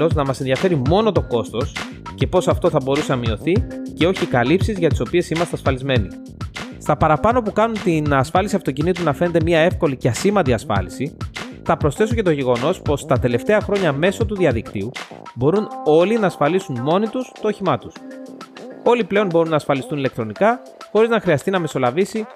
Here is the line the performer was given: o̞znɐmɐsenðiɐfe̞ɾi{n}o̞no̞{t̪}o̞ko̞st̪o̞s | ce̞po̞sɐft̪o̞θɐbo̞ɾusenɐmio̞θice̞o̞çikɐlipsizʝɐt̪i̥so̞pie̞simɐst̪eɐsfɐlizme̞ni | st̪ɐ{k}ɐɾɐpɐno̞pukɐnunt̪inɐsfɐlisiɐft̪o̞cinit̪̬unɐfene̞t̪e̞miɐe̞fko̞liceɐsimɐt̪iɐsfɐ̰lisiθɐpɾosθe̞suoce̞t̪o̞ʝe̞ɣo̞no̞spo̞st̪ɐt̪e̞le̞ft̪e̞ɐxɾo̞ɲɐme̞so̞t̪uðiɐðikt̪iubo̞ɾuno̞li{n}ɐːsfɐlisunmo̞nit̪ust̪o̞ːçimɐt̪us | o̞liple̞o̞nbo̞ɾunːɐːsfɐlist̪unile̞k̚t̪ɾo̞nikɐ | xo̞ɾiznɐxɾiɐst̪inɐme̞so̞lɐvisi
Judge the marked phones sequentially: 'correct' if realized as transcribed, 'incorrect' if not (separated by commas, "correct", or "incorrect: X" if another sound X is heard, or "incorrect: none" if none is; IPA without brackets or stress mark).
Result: incorrect: m, correct, incorrect: p, correct